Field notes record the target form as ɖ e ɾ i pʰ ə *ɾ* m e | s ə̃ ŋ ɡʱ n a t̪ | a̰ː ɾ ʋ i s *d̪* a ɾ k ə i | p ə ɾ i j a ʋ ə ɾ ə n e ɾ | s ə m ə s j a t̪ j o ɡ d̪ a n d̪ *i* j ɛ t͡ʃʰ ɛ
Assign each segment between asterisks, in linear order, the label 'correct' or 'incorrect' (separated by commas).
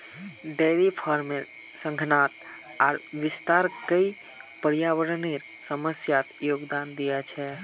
correct, incorrect, correct